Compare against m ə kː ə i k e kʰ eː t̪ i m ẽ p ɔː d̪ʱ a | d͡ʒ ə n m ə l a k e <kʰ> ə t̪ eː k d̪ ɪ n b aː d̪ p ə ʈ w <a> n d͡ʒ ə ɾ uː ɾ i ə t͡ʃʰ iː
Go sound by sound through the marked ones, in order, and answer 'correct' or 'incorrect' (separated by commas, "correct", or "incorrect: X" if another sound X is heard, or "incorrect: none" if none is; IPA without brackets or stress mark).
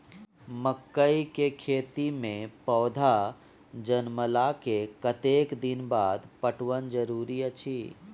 incorrect: k, incorrect: ə